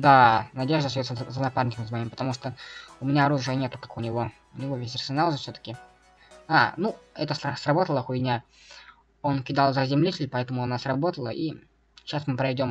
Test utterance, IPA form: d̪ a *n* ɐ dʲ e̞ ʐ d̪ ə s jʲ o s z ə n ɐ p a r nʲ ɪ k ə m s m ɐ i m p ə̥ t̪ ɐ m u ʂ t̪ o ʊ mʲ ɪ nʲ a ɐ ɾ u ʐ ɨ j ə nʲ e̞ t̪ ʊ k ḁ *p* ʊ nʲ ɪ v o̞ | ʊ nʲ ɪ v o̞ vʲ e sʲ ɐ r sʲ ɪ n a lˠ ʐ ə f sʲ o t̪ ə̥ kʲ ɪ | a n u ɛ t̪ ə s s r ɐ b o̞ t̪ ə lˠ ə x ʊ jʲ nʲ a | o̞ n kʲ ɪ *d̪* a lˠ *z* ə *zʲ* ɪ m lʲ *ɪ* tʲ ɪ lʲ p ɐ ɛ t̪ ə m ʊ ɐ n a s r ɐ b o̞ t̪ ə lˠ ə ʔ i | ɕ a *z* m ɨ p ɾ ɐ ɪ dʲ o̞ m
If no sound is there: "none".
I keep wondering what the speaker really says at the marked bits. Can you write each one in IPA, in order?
n, k, d̪, z, zʲ, i, s

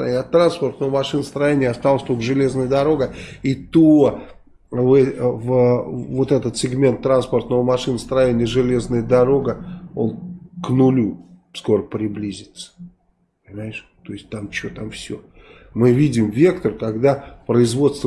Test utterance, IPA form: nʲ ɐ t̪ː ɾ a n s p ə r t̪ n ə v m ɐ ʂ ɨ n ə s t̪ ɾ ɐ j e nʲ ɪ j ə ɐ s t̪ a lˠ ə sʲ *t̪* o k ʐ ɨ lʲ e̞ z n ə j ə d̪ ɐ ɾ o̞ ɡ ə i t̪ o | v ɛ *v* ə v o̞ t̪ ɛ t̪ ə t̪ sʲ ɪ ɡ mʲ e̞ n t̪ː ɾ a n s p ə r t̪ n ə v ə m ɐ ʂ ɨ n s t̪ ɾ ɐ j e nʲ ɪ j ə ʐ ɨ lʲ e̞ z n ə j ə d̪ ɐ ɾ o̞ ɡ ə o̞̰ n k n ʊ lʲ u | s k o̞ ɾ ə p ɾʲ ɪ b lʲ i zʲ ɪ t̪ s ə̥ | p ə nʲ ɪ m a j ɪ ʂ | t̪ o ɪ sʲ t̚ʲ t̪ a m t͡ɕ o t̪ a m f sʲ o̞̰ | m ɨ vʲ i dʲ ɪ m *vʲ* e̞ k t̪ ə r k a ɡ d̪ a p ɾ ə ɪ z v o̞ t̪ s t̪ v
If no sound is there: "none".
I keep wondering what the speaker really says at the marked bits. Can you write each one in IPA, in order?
t̪, v, vʲ

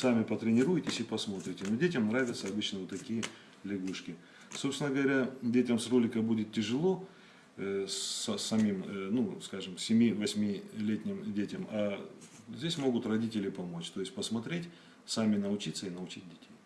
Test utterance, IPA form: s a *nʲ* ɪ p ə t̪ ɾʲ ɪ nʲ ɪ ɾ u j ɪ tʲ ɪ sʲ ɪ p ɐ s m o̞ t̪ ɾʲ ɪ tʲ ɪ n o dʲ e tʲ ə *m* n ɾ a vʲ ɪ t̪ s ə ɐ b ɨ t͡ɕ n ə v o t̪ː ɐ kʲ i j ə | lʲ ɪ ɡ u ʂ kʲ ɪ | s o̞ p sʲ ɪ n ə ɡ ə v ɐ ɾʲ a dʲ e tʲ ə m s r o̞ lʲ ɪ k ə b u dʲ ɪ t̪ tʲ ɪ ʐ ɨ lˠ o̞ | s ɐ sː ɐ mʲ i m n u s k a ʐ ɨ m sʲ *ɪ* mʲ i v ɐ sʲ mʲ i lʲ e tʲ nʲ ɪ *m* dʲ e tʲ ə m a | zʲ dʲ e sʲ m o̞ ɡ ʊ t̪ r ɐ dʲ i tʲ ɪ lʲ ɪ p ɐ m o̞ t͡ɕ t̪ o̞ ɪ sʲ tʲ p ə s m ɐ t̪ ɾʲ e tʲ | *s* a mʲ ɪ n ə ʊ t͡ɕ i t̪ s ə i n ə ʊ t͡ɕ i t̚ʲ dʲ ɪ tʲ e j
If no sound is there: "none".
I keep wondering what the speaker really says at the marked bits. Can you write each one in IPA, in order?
mʲ, m, ɪ, m, s

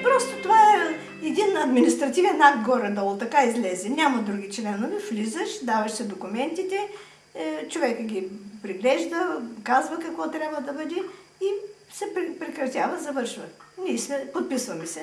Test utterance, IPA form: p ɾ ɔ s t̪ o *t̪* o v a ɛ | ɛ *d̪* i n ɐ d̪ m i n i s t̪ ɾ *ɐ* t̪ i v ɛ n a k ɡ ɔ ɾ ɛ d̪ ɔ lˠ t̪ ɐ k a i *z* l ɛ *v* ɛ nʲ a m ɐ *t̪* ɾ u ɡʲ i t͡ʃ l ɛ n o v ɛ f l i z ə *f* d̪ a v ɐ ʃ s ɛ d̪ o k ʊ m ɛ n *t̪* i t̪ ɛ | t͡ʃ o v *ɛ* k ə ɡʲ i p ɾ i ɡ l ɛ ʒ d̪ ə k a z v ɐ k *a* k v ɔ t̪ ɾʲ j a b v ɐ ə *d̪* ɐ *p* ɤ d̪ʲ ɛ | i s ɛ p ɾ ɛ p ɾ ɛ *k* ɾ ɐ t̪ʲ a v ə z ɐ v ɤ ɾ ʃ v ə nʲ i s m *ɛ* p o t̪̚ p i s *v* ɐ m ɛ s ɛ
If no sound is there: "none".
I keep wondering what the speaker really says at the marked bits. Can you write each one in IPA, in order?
t̪, d̪, ɐ, z, z, d̪, ʃ, t̪, ɛ, ɐ, d̪, b, k, ɛ, v

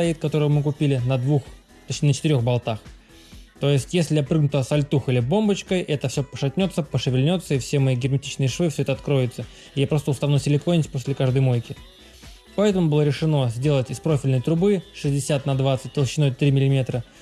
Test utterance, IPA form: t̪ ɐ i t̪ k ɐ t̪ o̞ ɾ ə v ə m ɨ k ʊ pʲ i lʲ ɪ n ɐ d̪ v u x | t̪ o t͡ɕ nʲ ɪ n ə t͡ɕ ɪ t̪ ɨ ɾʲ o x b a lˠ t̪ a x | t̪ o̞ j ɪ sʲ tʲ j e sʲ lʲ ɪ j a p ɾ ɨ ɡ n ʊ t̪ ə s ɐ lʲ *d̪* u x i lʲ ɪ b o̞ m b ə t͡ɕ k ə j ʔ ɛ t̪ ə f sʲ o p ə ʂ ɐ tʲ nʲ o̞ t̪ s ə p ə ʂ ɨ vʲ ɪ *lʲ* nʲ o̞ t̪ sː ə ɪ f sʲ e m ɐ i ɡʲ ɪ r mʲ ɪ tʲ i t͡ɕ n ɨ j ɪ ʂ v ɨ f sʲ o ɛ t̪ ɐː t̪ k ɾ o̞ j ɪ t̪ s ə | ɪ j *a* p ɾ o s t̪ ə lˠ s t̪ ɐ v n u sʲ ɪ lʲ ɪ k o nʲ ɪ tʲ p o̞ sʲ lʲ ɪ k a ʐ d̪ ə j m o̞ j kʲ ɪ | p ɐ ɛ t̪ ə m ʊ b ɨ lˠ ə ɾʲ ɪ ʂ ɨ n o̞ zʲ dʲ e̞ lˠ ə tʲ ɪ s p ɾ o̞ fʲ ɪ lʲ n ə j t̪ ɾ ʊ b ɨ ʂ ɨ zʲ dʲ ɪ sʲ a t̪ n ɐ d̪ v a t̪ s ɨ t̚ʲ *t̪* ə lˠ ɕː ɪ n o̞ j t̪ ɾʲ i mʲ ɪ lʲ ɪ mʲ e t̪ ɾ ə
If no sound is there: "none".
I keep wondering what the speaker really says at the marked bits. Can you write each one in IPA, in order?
t̪, lʲ, a, t̪

